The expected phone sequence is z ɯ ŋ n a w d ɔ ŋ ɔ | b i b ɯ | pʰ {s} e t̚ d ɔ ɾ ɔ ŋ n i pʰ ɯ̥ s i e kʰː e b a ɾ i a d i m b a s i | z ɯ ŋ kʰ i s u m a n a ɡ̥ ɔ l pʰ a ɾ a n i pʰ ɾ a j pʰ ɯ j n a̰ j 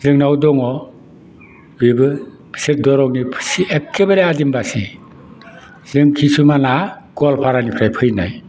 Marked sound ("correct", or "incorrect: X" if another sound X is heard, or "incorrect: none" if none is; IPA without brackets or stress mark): correct